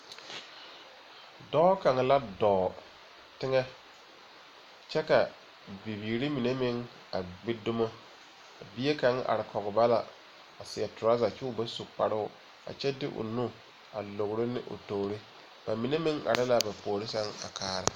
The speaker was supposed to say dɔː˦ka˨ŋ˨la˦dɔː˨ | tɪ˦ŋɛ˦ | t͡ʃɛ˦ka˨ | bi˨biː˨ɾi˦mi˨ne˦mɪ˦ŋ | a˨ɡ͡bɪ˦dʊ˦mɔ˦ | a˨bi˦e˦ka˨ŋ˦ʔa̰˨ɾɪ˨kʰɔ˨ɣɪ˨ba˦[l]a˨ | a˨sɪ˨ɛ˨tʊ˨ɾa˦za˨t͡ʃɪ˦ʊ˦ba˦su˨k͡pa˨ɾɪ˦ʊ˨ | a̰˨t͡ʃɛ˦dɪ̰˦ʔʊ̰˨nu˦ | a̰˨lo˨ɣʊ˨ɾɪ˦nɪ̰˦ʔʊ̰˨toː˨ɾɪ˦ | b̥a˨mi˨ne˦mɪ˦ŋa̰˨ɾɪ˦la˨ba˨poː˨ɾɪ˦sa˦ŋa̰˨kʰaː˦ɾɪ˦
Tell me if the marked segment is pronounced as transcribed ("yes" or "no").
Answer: yes